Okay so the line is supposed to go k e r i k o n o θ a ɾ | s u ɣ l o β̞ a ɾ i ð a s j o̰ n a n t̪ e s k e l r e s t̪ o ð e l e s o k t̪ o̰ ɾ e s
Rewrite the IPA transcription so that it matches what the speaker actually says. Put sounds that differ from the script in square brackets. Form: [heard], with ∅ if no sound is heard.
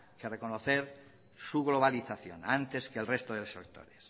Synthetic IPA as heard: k e r [e] k o n o θ [e] ɾ | s u ɣ l o β̞ a [l] i [θ] a [θ] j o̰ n a n t̪ e s k e l r e s t̪ o ð e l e s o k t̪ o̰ ɾ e s